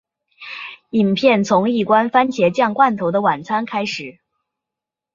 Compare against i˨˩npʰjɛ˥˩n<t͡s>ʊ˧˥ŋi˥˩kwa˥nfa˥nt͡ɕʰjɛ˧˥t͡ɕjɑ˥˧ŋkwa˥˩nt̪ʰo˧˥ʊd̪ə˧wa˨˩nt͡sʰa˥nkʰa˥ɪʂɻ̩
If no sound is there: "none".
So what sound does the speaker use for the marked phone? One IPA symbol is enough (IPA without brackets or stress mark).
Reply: t͡sʰ